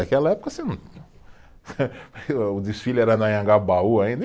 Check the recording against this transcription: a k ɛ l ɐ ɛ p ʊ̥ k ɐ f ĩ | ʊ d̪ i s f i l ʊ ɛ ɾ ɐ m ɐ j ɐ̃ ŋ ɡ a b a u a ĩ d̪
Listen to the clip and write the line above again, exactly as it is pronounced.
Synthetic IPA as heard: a k ɛ l ɐ ɛ p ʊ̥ k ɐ s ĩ | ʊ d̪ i s f i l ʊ ɛ ɾ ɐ n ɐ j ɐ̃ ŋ ɡ a b a u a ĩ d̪